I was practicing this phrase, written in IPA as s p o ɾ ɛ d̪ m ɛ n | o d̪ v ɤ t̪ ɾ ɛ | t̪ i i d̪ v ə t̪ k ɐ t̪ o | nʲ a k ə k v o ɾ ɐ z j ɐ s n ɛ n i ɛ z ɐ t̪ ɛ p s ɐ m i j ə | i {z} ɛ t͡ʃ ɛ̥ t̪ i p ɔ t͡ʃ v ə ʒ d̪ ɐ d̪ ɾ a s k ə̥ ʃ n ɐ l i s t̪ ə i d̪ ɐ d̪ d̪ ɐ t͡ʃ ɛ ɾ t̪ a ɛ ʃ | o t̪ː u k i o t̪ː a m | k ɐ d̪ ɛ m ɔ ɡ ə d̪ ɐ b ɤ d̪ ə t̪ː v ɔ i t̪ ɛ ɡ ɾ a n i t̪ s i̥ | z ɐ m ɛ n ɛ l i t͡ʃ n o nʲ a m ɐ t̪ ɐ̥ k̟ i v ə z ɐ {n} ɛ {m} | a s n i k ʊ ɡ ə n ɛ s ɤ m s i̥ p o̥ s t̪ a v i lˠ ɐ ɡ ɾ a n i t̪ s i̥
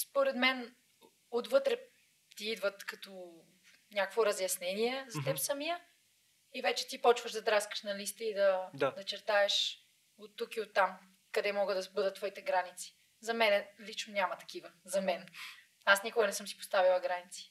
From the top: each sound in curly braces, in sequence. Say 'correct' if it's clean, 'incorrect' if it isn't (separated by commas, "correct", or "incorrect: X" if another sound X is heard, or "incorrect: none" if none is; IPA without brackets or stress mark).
incorrect: v, incorrect: m, incorrect: n